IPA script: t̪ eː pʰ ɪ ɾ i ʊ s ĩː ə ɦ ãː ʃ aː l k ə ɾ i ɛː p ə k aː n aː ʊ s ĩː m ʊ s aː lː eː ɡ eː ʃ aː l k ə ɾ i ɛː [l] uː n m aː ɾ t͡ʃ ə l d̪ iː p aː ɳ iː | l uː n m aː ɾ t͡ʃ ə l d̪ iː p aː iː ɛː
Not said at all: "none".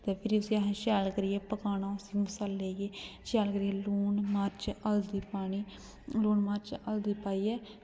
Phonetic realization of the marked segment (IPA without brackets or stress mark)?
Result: l